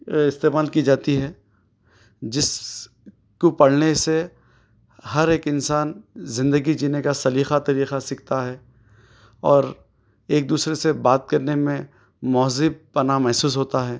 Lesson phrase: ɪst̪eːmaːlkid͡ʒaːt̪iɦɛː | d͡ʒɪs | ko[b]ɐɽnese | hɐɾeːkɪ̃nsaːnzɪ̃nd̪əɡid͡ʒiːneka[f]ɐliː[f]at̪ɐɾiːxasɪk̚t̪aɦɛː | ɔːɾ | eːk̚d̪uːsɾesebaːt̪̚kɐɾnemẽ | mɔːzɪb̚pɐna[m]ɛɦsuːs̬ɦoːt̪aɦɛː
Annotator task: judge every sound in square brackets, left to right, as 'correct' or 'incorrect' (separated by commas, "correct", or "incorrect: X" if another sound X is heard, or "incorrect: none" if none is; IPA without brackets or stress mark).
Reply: incorrect: p, incorrect: s, incorrect: x, correct